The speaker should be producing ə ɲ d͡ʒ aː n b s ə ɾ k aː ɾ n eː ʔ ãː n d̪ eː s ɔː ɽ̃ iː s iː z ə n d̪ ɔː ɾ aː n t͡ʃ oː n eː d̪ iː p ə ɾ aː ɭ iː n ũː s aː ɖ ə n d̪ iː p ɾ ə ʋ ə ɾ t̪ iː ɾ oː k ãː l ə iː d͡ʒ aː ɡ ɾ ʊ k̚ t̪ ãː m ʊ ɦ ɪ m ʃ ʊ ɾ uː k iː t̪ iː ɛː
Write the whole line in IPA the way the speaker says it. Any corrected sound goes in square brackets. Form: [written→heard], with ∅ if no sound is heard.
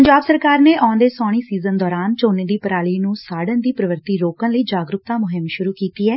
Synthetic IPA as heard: ə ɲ d͡ʒ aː [n→∅] b s ə ɾ k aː ɾ n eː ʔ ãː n d̪ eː s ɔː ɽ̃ iː s iː z ə n d̪ ɔː ɾ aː n t͡ʃ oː n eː d̪ iː p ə ɾ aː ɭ iː n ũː s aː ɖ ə n d̪ iː p ɾ ə ʋ ə ɾ t̪ iː ɾ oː k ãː l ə iː d͡ʒ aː ɡ ɾ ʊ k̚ t̪ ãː m ʊ ɦ ɪ m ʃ ʊ ɾ uː k iː t̪ iː ɛː